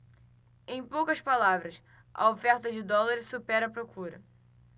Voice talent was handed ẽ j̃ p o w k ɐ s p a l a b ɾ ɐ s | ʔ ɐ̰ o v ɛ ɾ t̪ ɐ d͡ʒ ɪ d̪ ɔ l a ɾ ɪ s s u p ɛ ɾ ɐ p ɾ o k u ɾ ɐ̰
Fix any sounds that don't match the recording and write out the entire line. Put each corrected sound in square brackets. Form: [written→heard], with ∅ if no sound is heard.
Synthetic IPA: ẽ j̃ p o w k ɐ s p a l a [b→v] ɾ ɐ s | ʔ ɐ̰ o [v→f] ɛ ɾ t̪ ɐ d͡ʒ ɪ d̪ ɔ l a ɾ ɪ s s u p ɛ ɾ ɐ p ɾ o k u ɾ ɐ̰

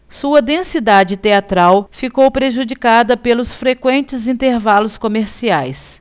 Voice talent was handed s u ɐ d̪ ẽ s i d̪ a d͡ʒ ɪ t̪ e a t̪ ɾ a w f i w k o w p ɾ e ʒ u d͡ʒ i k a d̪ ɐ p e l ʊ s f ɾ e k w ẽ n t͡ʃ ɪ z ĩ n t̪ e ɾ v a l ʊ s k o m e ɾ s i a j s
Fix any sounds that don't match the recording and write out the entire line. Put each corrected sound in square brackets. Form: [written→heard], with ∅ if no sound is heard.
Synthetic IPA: s u ɐ d̪ ẽ s i d̪ a d͡ʒ ɪ t̪ e a t̪ ɾ a w f i [w→∅] k o w p ɾ e ʒ u d͡ʒ i k a d̪ ɐ p e l ʊ s f ɾ e k w ẽ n t͡ʃ ɪ z ĩ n t̪ e ɾ v a l ʊ s k o m e ɾ s i a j s

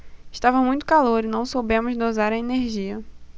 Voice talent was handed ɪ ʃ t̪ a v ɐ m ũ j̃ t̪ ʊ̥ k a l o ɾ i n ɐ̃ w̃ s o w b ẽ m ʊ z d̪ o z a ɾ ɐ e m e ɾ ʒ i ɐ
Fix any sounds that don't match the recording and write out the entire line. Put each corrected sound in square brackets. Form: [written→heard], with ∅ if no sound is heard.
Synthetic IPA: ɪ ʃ t̪ a v ɐ m ũ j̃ t̪ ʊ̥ k a l o ɾ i n ɐ̃ w̃ s o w b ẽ m ʊ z d̪ o z a ɾ ɐ e [m→n] e ɾ ʒ i ɐ

